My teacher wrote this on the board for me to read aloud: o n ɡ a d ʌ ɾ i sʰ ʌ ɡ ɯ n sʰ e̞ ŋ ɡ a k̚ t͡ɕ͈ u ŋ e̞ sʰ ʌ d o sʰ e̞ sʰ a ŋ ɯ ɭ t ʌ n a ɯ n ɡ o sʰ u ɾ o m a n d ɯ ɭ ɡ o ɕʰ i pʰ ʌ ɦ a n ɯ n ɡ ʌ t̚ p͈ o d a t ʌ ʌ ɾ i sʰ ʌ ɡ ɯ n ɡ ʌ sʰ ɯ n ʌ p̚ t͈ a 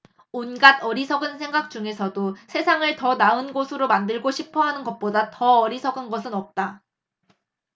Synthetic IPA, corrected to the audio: o n ɡ a d ʌ ɾ i sʰ ʌ ɡ ɯ n sʰ e̞ ŋ ɡ a k̚ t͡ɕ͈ u ŋ e̞ sʰ ʌ d o sʰ e̞ sʰ a ŋ ɯ ɭ t ʌ n a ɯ n ɡ o sʰ ɯ ɾ o m a n d ɯ ɭ ɡ o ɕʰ i pʰ ʌ ɦ a n ɯ n ɡ ʌ t̚ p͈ o d a t ʌ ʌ ɾ i sʰ ʌ ɡ ɯ n ɡ ʌ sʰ ɯ n ʌ p̚ t͈ a